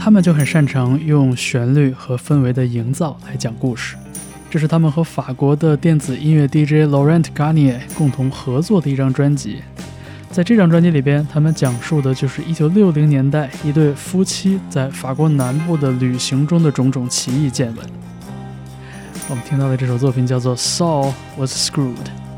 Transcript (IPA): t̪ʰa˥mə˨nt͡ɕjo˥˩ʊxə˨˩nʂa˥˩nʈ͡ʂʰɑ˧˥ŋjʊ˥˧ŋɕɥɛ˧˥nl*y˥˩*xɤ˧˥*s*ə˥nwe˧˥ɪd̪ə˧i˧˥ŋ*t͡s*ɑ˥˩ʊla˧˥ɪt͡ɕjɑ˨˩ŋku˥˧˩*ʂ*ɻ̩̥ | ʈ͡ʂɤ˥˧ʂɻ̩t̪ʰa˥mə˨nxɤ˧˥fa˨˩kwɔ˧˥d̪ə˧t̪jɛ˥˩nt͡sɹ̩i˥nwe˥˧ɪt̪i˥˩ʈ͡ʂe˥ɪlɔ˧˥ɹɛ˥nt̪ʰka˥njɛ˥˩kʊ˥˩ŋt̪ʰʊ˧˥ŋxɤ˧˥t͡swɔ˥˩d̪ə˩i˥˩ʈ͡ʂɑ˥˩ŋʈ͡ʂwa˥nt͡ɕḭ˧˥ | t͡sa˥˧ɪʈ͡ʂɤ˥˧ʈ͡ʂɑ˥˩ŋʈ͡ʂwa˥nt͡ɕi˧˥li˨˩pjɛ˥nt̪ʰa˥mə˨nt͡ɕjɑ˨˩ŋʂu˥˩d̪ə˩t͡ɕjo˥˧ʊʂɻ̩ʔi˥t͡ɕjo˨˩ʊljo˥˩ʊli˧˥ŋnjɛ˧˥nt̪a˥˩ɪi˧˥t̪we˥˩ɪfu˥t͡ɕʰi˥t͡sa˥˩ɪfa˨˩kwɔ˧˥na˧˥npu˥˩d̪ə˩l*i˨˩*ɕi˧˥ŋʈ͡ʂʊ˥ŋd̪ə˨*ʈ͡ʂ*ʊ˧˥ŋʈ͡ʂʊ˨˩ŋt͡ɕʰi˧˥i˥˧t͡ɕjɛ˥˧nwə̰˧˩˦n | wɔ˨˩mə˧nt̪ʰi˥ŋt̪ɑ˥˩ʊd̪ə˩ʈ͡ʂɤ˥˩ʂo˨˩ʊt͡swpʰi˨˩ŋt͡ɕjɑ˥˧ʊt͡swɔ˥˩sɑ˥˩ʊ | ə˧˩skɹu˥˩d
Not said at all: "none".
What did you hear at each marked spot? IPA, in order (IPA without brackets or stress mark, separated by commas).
y˥˩, f, t͡s, ʂ, y˨˩, ʈ͡ʂ